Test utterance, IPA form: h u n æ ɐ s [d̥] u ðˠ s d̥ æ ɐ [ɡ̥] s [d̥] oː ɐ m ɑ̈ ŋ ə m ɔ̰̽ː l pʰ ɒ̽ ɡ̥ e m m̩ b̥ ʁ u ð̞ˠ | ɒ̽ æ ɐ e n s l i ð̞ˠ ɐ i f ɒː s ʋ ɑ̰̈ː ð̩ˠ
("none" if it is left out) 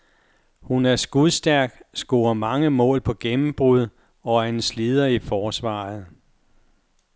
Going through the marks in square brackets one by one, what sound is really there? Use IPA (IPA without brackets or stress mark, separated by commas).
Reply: ɡ̥, ɡ̥, ɡ̥